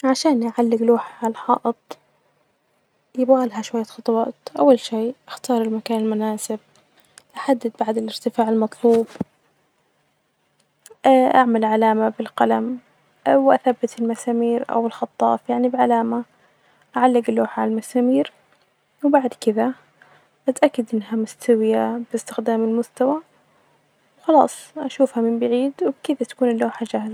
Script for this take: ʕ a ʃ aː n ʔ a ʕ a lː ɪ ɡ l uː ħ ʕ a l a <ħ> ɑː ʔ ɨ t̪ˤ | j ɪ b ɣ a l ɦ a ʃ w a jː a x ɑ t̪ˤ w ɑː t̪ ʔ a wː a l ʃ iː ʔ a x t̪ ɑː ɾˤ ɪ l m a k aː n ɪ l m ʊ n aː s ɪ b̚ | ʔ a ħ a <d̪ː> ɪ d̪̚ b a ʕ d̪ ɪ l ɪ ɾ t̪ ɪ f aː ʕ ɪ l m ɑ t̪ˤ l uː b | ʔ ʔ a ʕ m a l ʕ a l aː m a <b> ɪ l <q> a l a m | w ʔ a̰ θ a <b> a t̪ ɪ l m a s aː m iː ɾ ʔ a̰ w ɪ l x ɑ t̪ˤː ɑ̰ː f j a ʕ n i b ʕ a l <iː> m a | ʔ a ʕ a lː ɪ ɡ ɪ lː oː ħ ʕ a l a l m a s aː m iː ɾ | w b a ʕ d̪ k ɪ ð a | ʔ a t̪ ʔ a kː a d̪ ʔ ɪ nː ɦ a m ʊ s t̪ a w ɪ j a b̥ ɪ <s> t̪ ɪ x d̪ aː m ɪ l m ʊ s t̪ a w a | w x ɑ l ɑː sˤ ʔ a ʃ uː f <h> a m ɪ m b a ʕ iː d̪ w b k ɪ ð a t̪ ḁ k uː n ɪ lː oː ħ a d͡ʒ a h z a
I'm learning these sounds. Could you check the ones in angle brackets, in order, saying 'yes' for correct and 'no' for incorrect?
yes, yes, yes, yes, no, no, yes, yes

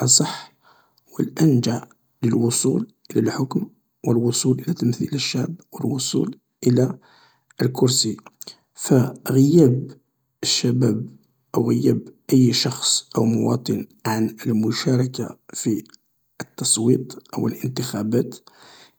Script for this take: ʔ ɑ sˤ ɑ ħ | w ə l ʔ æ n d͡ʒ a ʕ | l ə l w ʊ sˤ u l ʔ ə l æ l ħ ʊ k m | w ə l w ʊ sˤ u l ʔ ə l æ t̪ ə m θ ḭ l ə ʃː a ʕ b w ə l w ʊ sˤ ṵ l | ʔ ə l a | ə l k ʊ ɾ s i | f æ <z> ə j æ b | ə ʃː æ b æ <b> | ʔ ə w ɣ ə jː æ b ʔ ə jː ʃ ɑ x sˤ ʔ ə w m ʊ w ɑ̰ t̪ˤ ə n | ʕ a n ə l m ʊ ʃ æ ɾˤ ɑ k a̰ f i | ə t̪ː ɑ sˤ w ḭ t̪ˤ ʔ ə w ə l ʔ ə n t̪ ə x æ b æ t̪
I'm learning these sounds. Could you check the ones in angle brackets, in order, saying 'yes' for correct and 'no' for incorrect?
no, yes

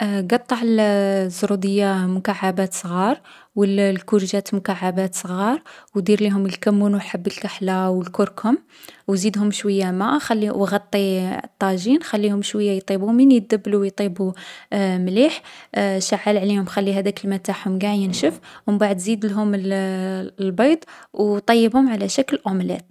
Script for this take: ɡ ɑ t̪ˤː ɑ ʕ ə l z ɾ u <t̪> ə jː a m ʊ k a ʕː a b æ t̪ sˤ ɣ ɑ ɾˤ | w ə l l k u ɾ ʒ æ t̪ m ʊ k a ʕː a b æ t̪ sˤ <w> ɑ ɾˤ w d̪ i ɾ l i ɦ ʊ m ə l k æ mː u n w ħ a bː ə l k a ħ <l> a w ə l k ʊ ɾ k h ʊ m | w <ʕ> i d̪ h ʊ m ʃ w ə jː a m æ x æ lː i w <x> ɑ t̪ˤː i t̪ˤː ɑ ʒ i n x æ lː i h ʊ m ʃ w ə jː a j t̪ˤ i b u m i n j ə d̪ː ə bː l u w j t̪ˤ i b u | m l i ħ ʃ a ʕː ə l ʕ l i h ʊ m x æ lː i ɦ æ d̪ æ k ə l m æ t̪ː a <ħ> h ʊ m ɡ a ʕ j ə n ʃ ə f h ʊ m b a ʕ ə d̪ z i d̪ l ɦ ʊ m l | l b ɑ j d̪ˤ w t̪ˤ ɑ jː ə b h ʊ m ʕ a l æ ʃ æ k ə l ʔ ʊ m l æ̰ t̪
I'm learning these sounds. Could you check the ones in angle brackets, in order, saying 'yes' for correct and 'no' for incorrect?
no, no, yes, no, no, yes

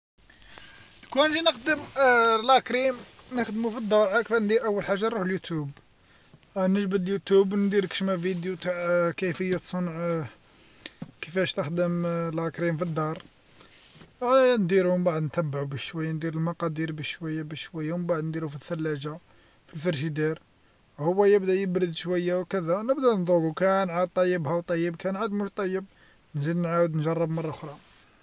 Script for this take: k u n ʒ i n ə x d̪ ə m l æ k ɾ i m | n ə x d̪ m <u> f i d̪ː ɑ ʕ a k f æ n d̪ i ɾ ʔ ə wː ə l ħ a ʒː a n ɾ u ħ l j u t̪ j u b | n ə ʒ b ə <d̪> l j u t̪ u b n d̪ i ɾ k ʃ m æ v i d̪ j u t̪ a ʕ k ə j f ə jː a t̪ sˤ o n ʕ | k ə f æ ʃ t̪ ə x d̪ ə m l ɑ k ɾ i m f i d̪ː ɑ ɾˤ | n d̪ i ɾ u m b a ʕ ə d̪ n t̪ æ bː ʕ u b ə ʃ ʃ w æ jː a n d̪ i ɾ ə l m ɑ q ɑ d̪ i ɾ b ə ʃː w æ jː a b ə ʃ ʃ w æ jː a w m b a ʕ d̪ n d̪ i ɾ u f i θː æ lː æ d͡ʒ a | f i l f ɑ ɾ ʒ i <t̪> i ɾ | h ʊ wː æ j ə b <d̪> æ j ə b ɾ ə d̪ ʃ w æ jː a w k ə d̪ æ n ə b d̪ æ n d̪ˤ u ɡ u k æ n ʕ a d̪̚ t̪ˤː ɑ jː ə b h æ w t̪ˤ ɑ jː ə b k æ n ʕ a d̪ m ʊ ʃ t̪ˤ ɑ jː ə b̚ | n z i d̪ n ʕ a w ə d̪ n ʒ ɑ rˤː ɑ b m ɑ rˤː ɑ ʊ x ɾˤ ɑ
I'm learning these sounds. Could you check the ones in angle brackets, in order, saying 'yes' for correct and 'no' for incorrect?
yes, yes, no, yes

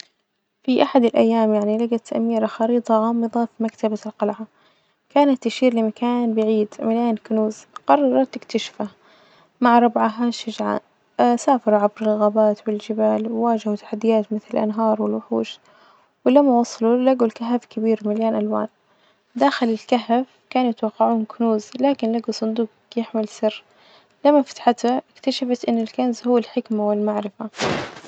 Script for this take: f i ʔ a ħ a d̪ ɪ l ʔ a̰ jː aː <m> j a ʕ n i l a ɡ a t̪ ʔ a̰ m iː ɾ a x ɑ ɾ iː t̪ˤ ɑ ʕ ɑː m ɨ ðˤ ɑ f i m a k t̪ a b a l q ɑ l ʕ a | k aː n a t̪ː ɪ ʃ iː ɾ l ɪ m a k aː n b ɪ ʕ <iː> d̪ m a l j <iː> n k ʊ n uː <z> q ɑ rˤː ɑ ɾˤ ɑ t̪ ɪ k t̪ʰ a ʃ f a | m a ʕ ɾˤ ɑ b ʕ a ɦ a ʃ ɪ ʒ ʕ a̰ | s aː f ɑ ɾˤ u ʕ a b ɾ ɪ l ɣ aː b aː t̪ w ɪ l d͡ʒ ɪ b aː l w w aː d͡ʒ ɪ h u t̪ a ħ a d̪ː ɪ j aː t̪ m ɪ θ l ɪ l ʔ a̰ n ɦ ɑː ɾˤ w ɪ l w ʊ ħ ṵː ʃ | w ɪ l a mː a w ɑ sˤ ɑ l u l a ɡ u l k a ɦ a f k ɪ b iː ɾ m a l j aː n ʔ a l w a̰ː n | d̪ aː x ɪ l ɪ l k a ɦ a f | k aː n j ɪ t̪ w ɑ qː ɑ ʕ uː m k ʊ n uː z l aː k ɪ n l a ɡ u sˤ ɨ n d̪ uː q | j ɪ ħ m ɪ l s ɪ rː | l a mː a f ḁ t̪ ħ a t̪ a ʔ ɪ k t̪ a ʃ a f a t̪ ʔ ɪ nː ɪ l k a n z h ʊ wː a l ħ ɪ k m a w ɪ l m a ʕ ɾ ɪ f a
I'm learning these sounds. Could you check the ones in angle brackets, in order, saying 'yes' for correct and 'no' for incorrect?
yes, yes, no, yes

